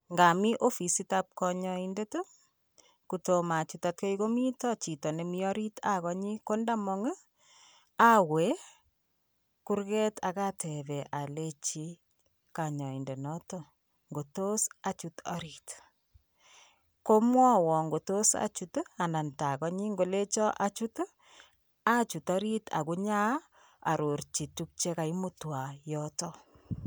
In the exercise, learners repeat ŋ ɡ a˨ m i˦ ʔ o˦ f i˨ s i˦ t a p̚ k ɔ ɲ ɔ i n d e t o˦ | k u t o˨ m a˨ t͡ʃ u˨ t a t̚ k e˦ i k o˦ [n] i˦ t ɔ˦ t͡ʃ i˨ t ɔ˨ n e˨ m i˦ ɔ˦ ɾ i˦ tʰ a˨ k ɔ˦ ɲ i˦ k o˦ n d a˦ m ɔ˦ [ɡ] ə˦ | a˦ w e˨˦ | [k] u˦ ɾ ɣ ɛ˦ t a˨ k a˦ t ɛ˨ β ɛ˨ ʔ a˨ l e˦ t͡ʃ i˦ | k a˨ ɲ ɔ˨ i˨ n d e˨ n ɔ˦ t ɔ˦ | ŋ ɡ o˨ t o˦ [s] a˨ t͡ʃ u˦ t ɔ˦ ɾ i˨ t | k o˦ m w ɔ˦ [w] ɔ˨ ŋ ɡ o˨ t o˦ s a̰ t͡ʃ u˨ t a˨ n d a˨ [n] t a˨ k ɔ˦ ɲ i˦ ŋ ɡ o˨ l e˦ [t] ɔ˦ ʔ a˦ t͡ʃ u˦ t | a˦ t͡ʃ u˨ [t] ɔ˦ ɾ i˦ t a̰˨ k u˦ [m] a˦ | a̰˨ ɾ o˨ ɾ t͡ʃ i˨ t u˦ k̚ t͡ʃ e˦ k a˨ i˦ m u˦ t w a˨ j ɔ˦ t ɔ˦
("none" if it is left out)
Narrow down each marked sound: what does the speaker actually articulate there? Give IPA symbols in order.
m, ŋ, k, s, w, n, t͡ʃ, t, ɲ

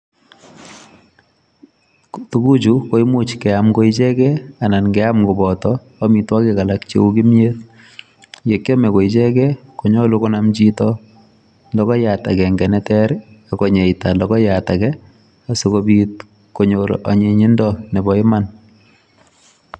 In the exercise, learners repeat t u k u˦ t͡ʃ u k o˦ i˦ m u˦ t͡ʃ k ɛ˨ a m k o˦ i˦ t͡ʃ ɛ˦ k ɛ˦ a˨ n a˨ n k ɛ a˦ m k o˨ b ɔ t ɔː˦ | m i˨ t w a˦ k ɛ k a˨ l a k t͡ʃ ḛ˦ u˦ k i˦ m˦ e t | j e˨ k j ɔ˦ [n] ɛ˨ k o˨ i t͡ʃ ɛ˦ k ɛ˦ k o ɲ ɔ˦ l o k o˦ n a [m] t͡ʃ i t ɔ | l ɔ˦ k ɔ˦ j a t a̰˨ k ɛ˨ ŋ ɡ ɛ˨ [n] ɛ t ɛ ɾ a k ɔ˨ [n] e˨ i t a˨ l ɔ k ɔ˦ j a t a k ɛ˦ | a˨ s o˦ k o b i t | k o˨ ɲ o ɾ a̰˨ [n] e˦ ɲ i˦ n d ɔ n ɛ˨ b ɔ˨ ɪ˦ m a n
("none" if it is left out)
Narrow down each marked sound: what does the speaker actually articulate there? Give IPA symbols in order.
m, m, n, ɲ, ɲ

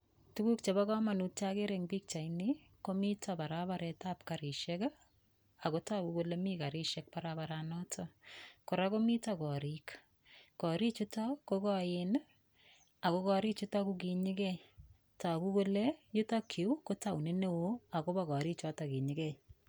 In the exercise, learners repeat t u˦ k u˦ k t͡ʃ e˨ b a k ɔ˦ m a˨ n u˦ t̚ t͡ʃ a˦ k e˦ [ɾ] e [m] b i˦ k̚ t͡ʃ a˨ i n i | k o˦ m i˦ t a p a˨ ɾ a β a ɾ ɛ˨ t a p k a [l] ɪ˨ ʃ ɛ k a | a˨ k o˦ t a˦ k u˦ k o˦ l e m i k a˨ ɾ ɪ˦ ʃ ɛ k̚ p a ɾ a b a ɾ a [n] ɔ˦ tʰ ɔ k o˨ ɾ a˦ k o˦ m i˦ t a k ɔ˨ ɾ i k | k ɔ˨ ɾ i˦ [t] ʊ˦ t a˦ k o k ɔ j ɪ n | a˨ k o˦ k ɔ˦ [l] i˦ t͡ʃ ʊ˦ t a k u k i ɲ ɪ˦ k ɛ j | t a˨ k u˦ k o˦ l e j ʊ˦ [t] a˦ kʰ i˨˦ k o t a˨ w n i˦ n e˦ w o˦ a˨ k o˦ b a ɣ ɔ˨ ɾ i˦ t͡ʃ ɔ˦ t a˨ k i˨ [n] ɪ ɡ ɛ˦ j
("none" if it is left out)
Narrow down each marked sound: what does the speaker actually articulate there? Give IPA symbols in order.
ɾ, ŋ, ɾ, n, t͡ʃ, ɾ, t, ɲ

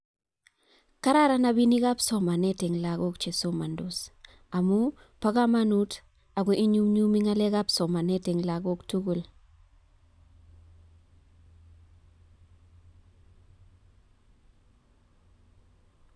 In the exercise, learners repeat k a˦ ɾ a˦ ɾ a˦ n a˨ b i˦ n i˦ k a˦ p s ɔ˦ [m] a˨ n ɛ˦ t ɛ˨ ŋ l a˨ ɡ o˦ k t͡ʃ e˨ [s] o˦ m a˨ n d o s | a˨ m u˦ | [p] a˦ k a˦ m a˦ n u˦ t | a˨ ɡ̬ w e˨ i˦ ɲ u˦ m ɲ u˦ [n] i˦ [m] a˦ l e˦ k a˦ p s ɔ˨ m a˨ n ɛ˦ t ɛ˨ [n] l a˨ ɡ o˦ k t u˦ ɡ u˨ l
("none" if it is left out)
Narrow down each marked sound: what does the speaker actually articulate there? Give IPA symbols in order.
m, s, p, m, ŋ, ŋ

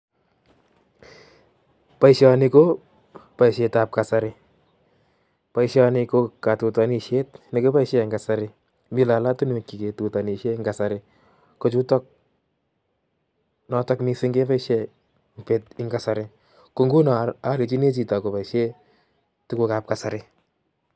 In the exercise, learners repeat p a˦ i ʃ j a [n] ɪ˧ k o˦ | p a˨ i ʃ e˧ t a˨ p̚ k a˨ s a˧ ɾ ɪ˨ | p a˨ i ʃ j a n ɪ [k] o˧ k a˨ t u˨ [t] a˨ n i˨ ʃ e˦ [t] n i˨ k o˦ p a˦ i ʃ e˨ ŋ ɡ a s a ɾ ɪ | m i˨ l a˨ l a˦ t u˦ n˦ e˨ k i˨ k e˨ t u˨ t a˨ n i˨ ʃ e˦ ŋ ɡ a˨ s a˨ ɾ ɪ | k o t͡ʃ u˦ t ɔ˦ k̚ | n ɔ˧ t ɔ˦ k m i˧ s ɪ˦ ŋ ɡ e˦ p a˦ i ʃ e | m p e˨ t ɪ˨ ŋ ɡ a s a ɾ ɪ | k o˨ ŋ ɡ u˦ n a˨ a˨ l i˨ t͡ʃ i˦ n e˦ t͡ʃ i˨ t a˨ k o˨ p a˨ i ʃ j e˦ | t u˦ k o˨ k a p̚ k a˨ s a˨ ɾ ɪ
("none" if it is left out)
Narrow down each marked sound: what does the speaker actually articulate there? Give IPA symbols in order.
n, k, t, t

